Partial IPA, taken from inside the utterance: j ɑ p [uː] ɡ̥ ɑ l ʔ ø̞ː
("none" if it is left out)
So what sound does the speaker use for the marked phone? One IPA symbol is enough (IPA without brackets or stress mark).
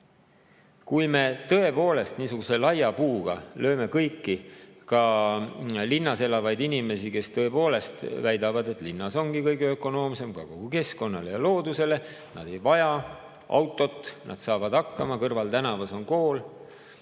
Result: uː